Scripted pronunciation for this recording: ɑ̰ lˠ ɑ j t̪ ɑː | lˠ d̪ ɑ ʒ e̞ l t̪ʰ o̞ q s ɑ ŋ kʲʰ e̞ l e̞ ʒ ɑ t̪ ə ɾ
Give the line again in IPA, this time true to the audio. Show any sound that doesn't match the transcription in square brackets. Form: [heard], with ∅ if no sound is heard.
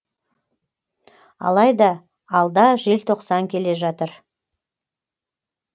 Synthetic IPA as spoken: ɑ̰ lˠ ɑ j [d̪] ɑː | lˠ d̪ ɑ ʒ e̞ l t̪ʰ o̞ q s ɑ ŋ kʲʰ e̞ l e̞ ʒ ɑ t̪ ə ɾ

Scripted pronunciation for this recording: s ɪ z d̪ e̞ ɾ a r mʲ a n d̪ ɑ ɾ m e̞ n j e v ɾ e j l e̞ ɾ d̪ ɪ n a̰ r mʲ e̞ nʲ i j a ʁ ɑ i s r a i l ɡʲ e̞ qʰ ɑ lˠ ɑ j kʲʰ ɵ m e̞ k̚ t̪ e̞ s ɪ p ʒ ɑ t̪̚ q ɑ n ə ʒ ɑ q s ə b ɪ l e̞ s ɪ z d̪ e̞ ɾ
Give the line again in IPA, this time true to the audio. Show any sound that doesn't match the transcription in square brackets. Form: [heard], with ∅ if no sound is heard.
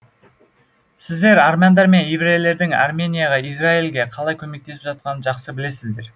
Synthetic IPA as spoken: s ɪ z d̪ e̞ ɾ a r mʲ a n d̪ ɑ ɾ m e̞ n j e v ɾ e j l e̞ ɾ d̪ ɪ [ŋ] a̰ r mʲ e̞ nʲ i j a ʁ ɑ i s r a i l ɡʲ e̞ qʰ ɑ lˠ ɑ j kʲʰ ɵ m e̞ k̚ t̪ e̞ s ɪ p ʒ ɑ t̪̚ q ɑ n ə ʒ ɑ q s ə b ɪ l e̞ s ɪ z d̪ e̞ ɾ

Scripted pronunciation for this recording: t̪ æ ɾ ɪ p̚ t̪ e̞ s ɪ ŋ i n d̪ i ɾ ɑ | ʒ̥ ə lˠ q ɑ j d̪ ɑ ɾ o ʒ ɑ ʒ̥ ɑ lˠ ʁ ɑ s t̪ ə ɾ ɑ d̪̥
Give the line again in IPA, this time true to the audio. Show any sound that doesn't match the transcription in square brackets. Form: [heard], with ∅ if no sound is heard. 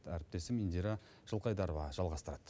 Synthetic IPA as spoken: t̪ æ ɾ ɪ p̚ t̪ e̞ s ɪ [m] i n d̪ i ɾ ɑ | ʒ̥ ə lˠ q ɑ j d̪ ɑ ɾ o [v] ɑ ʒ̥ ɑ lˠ ʁ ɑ s t̪ ə ɾ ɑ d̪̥

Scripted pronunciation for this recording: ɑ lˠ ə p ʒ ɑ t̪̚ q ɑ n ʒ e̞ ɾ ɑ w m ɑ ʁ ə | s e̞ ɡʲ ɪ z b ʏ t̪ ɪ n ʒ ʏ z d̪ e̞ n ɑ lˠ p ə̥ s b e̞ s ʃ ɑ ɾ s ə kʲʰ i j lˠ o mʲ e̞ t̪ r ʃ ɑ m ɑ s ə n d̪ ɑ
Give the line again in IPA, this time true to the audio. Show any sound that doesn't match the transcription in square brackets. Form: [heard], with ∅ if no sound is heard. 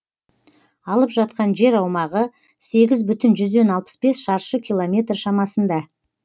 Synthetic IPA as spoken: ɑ lˠ ə p ʒ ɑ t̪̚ q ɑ n ʒ e̞ ɾ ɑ w m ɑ ʁ ə | s e̞ ɡʲ ɪ z b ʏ t̪ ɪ n ʒ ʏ z d̪ e̞ n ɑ lˠ p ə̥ s b e̞ s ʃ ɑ ɾ [ʃ] ə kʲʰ i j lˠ o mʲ e̞ t̪ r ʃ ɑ m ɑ s ə n d̪ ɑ

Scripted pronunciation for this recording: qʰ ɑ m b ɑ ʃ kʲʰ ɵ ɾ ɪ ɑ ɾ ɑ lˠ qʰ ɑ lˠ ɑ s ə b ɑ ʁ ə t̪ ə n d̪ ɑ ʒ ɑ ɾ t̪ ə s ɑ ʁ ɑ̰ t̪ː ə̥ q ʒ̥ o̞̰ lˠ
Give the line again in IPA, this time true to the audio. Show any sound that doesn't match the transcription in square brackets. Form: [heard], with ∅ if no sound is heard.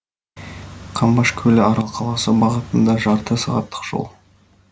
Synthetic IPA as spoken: qʰ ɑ m b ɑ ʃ kʲʰ ɵ [l] ɪ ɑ ɾ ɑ lˠ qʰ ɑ lˠ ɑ s ə b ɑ ʁ ə t̪ ə n d̪ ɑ ʒ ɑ ɾ t̪ ə s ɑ ʁ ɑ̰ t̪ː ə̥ q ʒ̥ o̞̰ lˠ

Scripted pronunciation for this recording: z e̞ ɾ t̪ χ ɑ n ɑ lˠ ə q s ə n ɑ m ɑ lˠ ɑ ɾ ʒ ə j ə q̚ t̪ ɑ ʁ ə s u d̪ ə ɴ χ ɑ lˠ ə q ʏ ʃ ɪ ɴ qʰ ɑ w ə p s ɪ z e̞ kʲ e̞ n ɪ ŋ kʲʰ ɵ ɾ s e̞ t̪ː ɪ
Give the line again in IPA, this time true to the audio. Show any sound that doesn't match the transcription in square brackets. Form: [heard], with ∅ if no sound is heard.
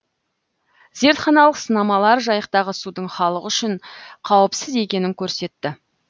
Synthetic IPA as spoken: z e̞ ɾ t̪ χ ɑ n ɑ lˠ ə q s ə n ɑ m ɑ lˠ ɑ ɾ ʒ [ɑ] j ə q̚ t̪ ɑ ʁ ə s u d̪ ə ɴ χ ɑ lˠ ə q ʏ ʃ ɪ ɴ qʰ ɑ w ə p s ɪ z e̞ kʲ e̞ n ɪ ŋ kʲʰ ɵ ɾ s e̞ t̪ː ɪ

